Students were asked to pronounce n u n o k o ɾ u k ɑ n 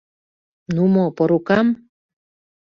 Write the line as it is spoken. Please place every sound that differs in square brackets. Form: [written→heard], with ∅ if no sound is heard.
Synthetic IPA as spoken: n u [n→m] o [k→p] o ɾ u k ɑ [n→m]